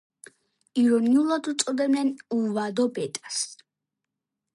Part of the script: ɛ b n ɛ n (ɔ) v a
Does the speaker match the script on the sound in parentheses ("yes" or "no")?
no